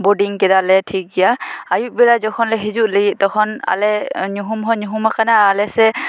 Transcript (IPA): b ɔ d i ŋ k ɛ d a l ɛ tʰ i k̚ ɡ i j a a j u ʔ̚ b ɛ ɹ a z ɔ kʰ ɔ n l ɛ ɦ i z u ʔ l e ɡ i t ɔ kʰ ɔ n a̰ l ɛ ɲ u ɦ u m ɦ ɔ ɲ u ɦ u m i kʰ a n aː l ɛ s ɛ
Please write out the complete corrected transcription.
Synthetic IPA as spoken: b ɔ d i ŋ k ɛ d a l ɛ tʰ i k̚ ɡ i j a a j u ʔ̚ b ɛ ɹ a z ɔ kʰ ɔ n l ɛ ɦ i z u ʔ l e ɡ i t ɔ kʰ ɔ n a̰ l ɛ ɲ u ɦ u m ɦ ɔ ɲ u ɦ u m a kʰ a n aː l ɛ s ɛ